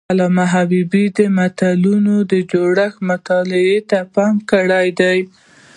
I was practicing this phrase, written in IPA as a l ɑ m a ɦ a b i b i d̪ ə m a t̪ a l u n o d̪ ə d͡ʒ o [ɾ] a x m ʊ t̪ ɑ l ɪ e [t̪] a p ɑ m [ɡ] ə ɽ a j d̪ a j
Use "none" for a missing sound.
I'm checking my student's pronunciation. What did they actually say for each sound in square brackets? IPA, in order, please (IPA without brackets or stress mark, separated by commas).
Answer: ɽ, t̪, k